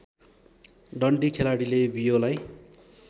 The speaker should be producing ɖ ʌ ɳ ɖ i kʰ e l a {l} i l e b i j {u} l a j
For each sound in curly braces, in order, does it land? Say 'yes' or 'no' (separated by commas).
no, no